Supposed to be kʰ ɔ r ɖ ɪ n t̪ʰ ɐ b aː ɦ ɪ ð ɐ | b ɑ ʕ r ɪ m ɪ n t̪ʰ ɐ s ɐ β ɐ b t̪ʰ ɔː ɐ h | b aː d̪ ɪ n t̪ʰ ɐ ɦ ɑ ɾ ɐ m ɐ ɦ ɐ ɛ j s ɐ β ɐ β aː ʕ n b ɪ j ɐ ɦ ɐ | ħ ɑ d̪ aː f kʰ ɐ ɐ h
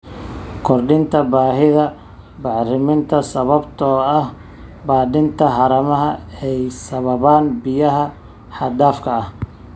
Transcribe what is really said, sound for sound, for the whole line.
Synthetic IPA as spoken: kʰ ɔ r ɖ ɪ n t̪ʰ ɐ b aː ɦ ɪ ð ɐ | b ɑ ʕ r ɪ m ɪ n t̪ʰ ɐ s ɐ β ɐ b t̪ʰ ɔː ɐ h | b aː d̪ ɪ n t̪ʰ ɐ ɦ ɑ ɾ ɐ m ɐ ɦ ɐ ɛ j s ɐ β ɐ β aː n b ɪ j ɐ ɦ ɐ | ħ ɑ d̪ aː f kʰ ɐ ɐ h